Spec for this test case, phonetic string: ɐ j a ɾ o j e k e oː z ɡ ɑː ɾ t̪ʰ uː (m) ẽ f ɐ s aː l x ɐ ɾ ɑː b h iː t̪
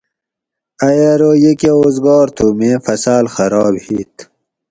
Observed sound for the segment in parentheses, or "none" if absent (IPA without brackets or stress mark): m